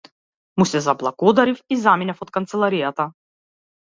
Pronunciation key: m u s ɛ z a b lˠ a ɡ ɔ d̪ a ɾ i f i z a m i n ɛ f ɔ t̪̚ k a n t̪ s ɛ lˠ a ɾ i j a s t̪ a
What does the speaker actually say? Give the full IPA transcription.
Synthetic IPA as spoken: m u s ɛ z a b lˠ a ɡ ɔ d̪ a ɾ i f i z a m i n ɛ f ɔ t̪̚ k a n t̪ s ɛ lˠ a ɾ i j a t̪ a